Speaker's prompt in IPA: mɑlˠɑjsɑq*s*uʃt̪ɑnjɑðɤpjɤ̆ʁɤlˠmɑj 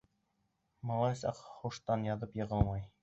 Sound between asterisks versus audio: incorrect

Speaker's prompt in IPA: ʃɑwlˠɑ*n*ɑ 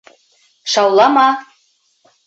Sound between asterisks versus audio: incorrect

